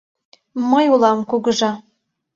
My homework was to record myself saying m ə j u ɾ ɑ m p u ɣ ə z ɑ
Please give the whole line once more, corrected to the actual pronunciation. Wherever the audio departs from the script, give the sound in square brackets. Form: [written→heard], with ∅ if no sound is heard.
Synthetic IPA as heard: m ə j u [ɾ→l] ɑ m [p→k] u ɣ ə [z→ʒ] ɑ